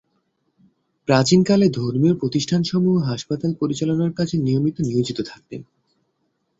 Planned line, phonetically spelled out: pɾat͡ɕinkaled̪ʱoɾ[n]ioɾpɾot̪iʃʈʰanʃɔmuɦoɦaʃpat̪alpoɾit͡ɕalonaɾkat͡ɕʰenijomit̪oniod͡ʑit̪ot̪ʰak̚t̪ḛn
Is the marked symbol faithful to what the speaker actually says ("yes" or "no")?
no